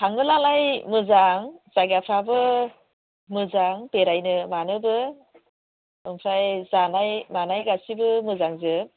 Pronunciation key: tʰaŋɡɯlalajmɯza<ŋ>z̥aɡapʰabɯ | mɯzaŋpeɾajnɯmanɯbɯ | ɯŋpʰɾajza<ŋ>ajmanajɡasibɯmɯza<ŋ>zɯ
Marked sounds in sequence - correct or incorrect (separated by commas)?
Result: correct, incorrect, correct